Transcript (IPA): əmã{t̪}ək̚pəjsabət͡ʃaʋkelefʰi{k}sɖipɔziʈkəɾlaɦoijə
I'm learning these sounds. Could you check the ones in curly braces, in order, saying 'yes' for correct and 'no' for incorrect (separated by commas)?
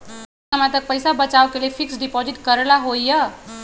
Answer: yes, yes